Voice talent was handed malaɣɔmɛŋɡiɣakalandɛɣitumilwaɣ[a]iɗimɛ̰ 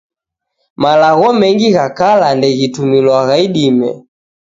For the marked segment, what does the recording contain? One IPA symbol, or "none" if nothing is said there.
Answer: a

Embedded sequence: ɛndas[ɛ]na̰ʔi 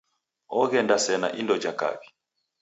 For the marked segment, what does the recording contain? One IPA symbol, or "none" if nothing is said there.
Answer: ɛ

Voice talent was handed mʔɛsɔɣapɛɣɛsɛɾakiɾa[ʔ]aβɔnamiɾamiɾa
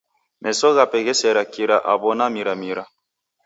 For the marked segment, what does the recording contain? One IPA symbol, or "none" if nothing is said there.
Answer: ʔ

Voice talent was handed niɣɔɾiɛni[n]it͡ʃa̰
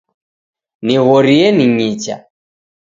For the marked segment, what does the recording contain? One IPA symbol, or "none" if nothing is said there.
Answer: ɲ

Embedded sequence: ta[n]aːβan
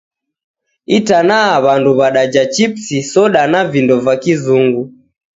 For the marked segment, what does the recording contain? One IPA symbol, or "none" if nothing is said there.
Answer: n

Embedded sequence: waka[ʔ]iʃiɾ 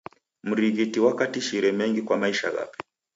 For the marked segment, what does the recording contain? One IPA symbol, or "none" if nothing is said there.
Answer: t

